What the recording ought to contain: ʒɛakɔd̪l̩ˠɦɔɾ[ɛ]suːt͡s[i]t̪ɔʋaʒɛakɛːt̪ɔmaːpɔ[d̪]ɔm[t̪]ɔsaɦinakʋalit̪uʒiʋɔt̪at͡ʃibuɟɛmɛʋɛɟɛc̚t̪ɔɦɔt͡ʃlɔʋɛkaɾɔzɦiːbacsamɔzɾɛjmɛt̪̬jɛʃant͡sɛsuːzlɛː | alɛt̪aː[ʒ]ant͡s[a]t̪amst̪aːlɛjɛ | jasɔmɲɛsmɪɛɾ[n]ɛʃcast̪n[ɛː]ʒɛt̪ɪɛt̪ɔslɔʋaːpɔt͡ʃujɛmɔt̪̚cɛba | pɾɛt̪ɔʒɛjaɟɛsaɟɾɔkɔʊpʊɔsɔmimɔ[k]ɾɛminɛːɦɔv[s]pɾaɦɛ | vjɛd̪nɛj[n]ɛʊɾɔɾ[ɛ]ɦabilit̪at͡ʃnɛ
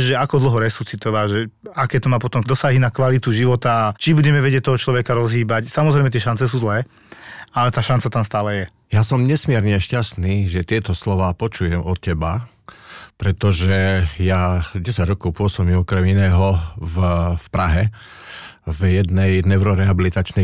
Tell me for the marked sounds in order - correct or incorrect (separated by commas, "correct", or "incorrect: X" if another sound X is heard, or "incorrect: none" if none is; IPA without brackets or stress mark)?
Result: correct, correct, incorrect: t̪, incorrect: d̪, incorrect: ʃ, correct, incorrect: ɲ, incorrect: iː, correct, incorrect: f, correct, correct